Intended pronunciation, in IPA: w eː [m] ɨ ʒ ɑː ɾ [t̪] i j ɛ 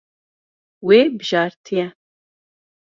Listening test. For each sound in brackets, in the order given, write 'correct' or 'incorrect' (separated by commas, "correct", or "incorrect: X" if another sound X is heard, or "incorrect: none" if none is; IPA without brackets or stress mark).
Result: incorrect: b, incorrect: t̪ʰ